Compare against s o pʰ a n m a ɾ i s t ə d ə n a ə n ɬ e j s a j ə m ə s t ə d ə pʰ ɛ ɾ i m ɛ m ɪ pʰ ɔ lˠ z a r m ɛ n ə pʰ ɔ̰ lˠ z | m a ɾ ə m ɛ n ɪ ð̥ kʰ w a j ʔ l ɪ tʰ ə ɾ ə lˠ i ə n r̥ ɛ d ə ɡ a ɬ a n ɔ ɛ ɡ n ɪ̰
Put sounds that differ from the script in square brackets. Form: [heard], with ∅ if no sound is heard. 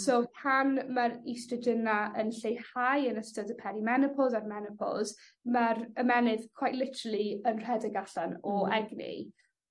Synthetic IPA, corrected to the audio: s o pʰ a n m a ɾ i s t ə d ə n a ə n ɬ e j [h] a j ə [n] ə s t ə d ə pʰ ɛ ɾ i m ɛ [n] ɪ pʰ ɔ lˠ z a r m ɛ n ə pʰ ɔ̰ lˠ z | m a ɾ ə m ɛ n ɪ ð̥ kʰ w a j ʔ l ɪ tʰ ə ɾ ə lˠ i ə n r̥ ɛ d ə ɡ a ɬ a n ɔ ɛ ɡ n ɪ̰